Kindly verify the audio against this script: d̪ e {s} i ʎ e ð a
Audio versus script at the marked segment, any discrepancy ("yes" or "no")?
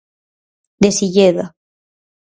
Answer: no